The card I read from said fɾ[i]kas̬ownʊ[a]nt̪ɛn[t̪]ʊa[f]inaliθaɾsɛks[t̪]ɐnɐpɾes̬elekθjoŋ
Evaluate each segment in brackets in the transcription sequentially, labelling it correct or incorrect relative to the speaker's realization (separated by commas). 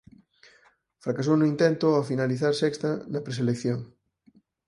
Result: incorrect, incorrect, correct, correct, correct